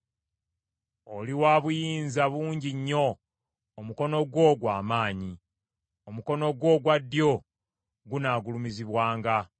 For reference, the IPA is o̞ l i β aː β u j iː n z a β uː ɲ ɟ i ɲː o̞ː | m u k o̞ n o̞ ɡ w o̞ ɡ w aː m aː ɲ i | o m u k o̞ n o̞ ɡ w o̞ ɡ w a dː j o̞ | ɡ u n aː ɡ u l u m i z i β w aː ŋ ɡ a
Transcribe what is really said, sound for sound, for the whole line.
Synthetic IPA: o̞ l i w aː β u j iː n z a β uː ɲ ɟ i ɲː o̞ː | m u k o̞ n o̞ ɡ w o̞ ɡ w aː m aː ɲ i | o m u k o̞ n o̞ ɡ w o̞ ɡ w a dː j o̞ | ɡ u n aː ɡ u l u m i z i β w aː ŋ ɡ a

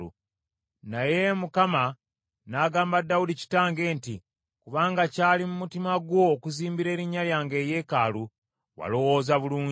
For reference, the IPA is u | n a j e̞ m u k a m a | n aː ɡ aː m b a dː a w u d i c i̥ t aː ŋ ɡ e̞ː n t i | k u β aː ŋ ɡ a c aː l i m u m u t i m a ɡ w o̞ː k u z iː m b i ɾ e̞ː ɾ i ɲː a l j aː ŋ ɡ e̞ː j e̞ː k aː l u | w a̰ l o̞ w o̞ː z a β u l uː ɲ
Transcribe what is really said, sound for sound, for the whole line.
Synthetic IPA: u | n a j e̞ m u k a m a | n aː ɡ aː m b a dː a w u d i c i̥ t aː ŋ ɡ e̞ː n t i | k u β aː ŋ ɡ a c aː l i m u m u t i m a ɡ w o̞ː k u z iː m b i ɾ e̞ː ɾ i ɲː a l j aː ŋ ɡ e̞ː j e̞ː k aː l u | w a̰ l o̞ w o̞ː z a β u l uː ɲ

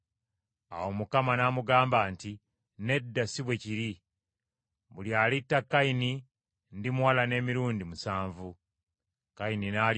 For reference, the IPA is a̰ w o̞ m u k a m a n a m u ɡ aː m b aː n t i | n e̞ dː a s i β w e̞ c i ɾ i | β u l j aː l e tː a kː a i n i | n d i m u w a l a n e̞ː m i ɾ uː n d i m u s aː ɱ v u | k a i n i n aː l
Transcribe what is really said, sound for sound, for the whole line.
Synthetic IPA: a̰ w o̞ m u k a m a n a m u ɡ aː m b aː n t i | n e̞ dː a s i β w e̞ c i ɾ i | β u l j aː l i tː a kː a i n i | n d i m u w a l a n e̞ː m i ɾ uː n d i m u s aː ɱ v u | k a i n i n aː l

